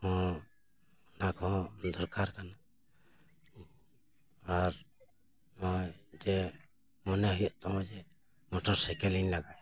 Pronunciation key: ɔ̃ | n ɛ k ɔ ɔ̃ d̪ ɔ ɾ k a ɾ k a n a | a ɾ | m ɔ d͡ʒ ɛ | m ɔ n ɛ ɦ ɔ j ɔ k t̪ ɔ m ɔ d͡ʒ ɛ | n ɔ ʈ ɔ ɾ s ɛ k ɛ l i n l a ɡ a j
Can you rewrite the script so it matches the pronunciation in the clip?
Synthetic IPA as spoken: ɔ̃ | n a k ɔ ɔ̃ d̪ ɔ ɾ k a ɾ k a n a | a ɾ | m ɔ d͡ʒ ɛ | m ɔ n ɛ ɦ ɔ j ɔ ʔ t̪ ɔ m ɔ d͡ʒ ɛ | m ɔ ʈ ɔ ɾ s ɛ k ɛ l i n l a ɡ a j